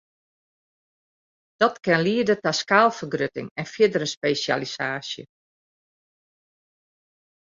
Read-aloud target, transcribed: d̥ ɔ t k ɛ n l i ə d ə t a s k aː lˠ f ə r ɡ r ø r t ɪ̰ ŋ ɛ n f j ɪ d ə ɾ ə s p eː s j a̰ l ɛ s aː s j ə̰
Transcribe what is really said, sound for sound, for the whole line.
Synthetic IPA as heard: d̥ ɔ t k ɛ n l i ə d ə t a s k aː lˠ f ə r ɡ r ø t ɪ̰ ŋ ɛ n f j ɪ d ə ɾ ə s p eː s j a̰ l i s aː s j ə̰